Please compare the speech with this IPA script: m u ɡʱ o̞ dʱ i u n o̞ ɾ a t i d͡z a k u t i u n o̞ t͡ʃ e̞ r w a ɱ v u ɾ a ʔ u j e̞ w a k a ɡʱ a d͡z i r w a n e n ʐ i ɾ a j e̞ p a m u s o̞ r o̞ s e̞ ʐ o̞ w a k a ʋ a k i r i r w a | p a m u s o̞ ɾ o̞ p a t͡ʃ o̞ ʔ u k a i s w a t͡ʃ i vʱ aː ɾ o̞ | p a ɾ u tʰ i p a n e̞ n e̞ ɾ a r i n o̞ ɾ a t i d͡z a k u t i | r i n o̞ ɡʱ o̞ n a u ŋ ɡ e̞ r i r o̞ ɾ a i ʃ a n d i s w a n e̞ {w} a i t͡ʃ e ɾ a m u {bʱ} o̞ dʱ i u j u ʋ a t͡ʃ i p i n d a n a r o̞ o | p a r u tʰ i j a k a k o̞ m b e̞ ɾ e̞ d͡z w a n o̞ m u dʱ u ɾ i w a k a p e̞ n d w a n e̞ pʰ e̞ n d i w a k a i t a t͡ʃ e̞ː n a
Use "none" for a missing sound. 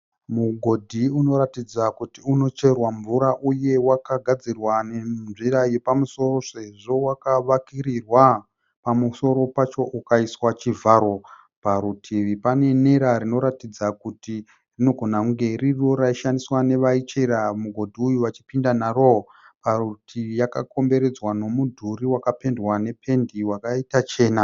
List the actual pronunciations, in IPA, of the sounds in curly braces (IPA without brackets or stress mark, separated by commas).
ʋ, ɡʱ